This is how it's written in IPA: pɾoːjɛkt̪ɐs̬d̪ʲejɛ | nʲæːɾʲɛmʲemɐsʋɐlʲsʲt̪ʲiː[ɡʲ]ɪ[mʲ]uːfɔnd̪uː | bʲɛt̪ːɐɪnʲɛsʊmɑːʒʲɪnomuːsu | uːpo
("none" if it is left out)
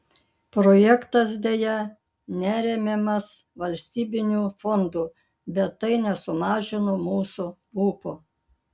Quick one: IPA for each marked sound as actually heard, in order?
bʲ, nʲ

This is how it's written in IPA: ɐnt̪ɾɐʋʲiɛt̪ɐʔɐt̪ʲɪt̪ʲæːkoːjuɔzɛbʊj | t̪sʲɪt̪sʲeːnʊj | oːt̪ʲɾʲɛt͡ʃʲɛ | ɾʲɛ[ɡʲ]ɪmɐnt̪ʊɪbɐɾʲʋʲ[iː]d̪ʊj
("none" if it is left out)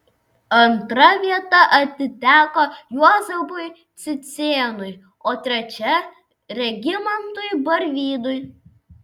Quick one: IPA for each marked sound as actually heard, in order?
ɡʲ, iː

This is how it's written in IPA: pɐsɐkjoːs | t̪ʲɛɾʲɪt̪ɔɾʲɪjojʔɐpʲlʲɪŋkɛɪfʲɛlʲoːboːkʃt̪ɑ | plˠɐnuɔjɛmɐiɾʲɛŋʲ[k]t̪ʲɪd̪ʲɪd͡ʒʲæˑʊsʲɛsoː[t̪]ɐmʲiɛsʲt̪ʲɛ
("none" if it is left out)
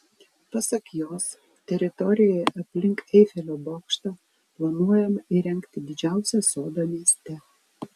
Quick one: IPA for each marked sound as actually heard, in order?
k, d̪

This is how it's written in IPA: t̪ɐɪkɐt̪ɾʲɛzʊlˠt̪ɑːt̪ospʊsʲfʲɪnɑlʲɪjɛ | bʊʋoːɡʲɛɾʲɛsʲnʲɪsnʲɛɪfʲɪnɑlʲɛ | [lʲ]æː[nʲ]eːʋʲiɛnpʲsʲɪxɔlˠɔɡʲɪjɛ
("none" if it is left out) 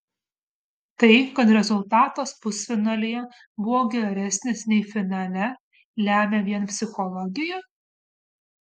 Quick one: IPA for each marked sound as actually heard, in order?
lʲ, mʲ

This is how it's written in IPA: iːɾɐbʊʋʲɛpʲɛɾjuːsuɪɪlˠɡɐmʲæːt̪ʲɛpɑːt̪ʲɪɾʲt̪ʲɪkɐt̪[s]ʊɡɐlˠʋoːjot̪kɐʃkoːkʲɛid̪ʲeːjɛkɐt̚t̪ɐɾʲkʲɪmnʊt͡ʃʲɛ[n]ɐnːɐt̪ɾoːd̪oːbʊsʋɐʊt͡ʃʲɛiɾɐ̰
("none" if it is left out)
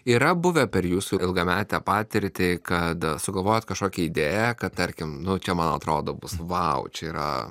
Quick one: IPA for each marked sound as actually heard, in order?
s, m

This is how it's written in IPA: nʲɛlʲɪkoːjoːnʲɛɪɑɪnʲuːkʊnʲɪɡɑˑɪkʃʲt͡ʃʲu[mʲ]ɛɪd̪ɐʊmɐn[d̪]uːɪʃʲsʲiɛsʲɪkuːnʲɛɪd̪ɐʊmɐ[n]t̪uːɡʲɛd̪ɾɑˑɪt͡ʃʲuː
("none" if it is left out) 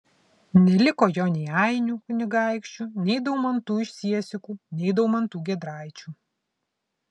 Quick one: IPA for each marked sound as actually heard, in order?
nʲ, t̪, n

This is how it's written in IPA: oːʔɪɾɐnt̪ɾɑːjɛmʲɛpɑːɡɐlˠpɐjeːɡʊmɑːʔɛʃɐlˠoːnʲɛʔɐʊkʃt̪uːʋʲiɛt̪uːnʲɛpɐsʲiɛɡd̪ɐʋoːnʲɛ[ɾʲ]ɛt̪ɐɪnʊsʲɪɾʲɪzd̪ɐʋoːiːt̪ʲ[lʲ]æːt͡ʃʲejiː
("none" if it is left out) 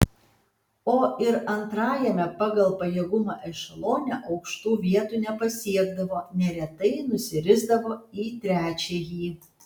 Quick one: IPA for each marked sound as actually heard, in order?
ɾʲ, ɾʲ

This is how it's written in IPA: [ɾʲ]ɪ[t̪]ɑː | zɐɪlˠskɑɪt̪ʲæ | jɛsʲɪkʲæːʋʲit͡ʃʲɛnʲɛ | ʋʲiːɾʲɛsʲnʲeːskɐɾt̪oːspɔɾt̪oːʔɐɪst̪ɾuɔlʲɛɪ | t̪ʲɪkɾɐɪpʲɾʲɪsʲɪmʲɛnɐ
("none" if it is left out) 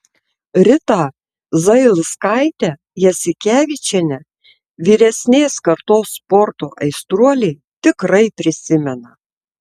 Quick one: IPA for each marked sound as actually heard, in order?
ɾʲ, t̪

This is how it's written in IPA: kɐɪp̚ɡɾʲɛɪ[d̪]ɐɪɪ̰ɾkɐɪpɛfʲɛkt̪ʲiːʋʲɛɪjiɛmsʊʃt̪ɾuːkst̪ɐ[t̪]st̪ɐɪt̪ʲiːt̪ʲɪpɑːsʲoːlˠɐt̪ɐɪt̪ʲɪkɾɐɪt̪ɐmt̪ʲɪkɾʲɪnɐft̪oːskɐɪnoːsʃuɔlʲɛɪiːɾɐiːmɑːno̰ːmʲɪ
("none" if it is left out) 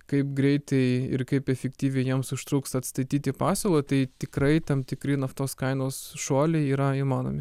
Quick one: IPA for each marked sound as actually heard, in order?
t̪, t̪

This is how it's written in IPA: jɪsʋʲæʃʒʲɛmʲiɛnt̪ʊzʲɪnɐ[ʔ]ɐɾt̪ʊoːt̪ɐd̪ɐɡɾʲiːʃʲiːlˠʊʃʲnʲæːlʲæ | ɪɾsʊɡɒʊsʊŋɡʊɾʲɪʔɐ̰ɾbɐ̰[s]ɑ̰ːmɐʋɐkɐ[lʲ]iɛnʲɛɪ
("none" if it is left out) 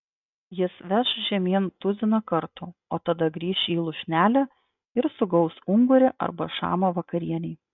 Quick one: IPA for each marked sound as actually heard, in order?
k, ʃ, ɾʲ

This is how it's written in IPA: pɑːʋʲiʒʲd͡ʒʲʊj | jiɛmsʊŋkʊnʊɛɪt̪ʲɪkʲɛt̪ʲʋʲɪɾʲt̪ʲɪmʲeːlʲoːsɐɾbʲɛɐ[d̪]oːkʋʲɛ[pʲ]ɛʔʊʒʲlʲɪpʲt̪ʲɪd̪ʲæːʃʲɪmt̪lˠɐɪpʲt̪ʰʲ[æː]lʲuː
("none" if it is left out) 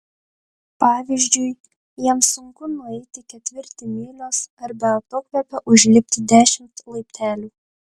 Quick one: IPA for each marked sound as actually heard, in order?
t̪, pʲ, æː

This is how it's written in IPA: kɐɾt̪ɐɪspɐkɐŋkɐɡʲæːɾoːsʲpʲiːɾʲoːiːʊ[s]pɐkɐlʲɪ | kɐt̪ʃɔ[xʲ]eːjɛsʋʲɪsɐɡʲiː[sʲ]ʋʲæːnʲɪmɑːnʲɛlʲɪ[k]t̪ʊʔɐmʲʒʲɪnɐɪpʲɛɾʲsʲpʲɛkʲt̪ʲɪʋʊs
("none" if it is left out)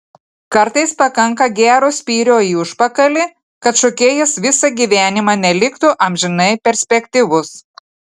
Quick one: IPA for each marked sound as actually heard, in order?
ʃ, kʲ, none, k

